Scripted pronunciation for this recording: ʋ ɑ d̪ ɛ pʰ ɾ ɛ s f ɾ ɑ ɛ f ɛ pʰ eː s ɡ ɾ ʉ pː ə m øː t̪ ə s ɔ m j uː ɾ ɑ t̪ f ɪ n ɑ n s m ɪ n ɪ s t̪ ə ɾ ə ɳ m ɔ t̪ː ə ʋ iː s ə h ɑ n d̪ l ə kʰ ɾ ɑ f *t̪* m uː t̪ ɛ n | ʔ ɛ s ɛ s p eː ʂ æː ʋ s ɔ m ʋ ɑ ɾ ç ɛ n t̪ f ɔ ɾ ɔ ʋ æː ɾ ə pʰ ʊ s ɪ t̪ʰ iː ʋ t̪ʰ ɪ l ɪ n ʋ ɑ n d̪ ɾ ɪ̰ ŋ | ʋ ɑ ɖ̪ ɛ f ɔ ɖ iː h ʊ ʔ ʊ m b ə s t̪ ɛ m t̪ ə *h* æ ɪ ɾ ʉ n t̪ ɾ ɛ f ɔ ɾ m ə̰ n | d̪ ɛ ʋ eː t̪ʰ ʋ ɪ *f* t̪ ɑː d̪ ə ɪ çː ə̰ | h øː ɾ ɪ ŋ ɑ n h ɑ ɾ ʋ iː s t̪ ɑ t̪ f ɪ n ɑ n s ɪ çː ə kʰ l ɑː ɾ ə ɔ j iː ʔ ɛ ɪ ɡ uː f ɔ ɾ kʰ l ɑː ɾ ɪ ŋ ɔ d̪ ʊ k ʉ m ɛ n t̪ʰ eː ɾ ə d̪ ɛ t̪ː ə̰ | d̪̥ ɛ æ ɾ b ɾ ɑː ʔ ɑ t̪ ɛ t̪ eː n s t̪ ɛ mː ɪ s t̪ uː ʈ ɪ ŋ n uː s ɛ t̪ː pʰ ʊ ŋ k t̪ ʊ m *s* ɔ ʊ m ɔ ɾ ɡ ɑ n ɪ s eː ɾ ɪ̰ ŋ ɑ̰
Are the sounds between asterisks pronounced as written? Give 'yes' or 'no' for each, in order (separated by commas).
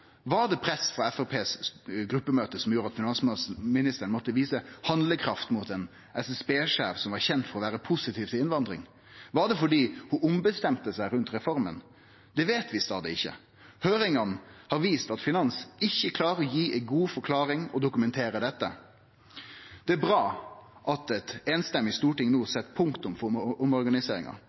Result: yes, no, no, no